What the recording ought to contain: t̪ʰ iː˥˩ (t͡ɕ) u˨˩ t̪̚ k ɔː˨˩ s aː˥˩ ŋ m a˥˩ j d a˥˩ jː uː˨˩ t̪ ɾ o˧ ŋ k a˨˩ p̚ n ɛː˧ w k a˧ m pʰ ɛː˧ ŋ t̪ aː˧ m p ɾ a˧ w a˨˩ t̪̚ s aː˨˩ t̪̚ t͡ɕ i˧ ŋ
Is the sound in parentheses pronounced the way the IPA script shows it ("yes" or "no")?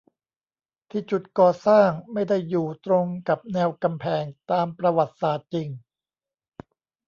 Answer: yes